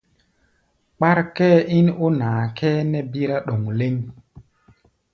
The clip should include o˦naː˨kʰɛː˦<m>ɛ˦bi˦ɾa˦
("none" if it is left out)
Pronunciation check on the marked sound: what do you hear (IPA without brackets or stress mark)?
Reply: n